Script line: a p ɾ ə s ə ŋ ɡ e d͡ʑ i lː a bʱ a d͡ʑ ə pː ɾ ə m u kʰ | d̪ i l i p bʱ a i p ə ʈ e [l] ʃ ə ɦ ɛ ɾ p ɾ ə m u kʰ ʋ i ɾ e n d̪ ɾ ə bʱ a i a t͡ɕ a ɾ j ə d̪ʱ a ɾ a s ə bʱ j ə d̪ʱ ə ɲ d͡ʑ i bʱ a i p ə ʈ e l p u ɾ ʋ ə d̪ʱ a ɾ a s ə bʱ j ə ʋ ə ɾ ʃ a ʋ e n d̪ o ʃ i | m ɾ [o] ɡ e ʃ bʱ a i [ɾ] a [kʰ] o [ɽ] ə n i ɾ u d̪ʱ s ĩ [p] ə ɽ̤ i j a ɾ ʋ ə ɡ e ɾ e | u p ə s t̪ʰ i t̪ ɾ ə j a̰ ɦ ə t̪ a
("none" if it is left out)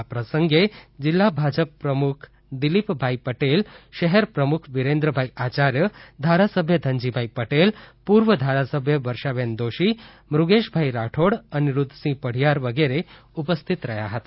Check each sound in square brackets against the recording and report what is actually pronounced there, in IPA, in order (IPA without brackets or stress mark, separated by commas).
l, u, ɾ, ʈʰ, ɽ, p